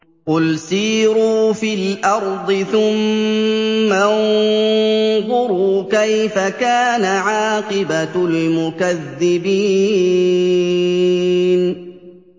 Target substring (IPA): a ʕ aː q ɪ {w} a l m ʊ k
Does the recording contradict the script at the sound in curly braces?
yes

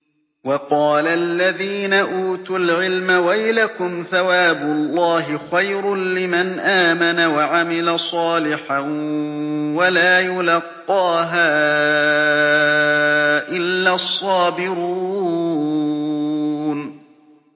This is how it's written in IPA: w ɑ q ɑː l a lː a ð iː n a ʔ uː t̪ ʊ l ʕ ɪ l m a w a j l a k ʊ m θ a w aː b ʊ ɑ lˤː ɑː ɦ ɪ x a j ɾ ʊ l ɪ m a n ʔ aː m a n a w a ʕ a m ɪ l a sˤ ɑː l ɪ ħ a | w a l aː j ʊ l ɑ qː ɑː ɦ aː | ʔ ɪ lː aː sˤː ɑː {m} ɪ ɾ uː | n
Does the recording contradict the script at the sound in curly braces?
yes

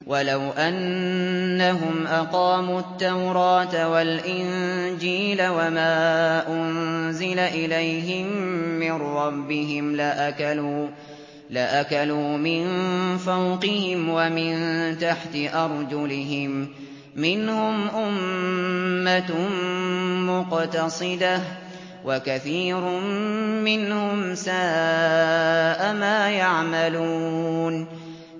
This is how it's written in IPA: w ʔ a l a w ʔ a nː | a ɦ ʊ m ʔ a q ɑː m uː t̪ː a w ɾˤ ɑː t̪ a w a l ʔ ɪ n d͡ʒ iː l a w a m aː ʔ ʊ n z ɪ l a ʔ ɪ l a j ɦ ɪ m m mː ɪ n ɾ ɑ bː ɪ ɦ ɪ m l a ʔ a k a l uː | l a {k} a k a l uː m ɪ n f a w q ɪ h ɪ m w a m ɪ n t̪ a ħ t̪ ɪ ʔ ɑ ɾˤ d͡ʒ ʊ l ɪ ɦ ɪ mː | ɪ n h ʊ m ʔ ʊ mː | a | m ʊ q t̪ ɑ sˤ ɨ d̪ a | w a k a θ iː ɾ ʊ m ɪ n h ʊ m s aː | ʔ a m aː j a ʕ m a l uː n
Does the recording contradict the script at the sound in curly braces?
yes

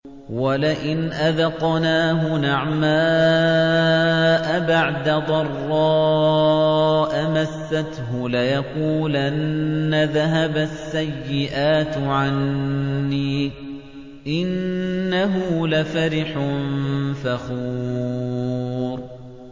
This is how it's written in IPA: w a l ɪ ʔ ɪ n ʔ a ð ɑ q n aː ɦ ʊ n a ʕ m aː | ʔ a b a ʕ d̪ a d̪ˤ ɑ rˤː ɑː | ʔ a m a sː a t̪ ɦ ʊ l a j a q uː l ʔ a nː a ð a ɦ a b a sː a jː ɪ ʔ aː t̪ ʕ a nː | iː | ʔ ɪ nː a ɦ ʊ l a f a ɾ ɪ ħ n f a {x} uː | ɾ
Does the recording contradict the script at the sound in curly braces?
no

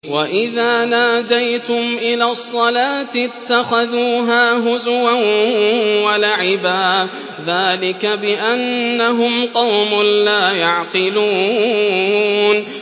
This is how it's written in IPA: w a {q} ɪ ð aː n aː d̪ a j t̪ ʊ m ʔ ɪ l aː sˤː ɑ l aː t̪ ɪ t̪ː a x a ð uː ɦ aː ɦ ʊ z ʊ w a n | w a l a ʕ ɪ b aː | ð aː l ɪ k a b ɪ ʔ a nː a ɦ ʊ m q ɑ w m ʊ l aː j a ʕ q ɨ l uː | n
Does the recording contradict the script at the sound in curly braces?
yes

